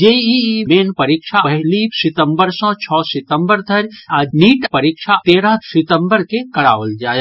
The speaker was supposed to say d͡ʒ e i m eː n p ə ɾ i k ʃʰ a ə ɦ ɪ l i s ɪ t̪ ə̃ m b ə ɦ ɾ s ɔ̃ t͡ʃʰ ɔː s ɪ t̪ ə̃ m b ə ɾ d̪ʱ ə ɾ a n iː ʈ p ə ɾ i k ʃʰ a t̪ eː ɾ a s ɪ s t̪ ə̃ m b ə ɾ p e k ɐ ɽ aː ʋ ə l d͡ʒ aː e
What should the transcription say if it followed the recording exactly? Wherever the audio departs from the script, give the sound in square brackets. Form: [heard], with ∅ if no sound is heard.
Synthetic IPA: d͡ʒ e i m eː n p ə ɾ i k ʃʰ a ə ɦ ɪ l i s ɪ t̪ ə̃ m b ə [∅] ɾ s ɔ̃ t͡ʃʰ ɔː s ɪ t̪ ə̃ m b ə ɾ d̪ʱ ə ɾ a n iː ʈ p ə ɾ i k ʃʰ a t̪ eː ɾ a s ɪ [∅] t̪ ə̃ m b ə ɾ [k] e k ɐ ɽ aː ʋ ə l d͡ʒ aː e